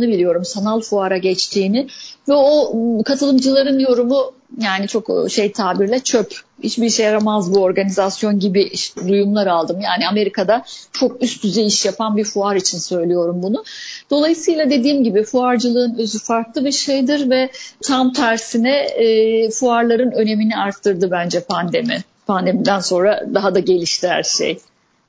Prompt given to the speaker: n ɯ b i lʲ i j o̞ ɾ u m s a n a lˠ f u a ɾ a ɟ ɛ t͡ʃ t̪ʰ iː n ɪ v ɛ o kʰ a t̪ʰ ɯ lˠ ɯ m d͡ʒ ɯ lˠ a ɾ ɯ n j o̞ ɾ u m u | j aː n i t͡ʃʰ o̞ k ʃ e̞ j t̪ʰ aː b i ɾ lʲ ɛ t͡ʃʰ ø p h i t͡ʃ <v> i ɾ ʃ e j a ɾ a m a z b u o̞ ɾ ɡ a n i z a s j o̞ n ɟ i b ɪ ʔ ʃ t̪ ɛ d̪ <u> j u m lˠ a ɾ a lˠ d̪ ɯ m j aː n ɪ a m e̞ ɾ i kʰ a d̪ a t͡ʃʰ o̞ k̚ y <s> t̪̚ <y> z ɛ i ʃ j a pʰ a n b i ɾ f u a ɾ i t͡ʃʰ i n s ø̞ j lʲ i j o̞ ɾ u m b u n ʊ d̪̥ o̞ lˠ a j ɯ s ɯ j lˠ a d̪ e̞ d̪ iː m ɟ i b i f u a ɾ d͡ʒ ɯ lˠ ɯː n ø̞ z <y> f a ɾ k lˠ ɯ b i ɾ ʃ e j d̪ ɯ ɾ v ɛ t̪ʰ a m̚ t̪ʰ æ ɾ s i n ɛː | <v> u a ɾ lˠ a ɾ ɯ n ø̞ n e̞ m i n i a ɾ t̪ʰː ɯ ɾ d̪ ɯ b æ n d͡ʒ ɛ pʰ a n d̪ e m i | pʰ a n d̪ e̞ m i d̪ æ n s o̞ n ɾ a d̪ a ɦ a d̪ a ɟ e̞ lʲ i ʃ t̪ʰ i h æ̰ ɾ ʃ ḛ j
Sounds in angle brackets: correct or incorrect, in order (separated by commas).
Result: incorrect, correct, correct, correct, correct, incorrect